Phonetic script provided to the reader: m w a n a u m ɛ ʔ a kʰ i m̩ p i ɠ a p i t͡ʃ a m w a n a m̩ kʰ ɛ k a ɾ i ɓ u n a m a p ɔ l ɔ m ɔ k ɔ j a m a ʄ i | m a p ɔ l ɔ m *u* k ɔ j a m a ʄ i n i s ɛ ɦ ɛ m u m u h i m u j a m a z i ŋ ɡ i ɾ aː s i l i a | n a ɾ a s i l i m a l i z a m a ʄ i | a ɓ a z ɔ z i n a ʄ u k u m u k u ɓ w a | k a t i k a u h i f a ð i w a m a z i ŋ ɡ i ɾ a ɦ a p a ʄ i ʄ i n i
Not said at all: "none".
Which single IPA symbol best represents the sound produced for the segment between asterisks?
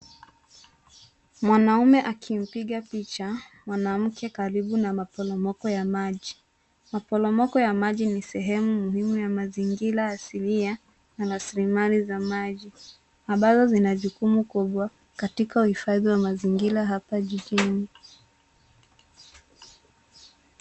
ɔ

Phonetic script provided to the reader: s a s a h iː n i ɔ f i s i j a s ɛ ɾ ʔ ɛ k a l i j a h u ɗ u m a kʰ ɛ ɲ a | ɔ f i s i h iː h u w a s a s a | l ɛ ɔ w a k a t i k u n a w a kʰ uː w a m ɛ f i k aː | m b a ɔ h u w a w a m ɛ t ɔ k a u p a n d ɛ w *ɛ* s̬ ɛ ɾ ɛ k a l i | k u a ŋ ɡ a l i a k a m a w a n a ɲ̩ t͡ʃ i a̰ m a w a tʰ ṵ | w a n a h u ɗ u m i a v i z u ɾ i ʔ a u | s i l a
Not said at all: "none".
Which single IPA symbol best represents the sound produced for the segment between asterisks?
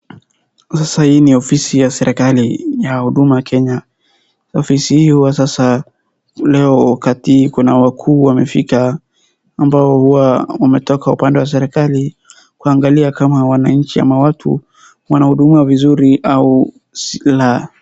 a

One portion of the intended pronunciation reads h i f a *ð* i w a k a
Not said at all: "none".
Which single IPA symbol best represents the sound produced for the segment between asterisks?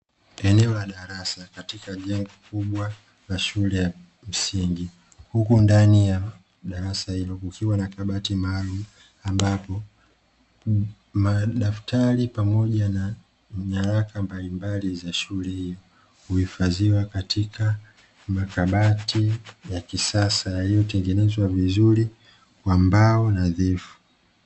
z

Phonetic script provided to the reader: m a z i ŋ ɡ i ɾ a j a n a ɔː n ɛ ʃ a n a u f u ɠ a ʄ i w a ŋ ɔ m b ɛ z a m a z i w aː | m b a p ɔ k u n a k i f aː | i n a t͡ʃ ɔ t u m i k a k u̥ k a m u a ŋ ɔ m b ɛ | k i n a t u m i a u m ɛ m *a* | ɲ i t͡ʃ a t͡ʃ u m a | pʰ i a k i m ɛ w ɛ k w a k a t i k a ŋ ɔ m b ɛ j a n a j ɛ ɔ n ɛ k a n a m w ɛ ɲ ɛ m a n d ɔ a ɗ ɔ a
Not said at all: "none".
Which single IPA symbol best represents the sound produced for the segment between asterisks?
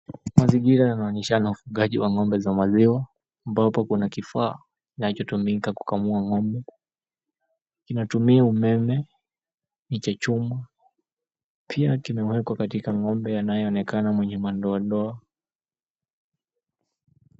ɛ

